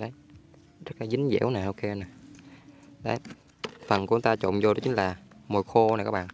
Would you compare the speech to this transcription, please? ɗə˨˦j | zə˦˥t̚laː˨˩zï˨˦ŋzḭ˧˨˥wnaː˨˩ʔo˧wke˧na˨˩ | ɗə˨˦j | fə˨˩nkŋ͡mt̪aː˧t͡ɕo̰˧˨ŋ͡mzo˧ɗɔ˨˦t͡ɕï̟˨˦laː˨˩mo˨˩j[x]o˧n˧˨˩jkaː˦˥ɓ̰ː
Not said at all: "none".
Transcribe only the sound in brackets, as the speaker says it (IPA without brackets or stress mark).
x